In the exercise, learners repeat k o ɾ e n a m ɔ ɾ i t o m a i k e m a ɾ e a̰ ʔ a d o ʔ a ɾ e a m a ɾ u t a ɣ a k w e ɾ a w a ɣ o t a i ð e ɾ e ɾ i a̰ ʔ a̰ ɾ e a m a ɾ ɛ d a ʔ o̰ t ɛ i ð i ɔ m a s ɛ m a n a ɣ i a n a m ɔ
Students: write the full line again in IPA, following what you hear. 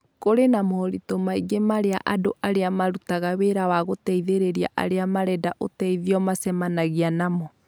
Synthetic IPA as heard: k o ɾ e n a m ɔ ɾ i t o m a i ɡ e m a ɾ e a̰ ʔ a d o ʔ a ɾ e a m a ɾ u t a ɣ a w e ɾ a w a ɣ o t ɛ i ð e ɾ e ɾ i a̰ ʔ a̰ ɾ e a m a ɾ ɛ d a ʔ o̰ t ɛ i ð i ɔ m a s ɛ m a n a ɣ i a n a m ɔ